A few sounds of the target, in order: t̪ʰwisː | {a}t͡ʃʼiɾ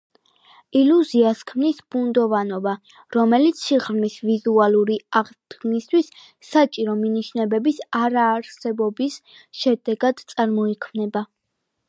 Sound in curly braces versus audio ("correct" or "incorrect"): correct